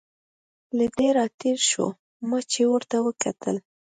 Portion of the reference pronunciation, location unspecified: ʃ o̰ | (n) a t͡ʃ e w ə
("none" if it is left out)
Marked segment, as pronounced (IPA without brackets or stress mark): m